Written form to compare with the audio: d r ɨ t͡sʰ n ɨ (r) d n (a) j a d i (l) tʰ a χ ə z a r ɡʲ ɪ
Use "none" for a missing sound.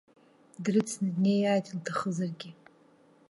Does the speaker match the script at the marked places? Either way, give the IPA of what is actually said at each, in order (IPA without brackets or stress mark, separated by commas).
none, e, l